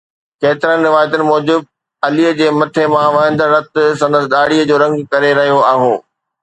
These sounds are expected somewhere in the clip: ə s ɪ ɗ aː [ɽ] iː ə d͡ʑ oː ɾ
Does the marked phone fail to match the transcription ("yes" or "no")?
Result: no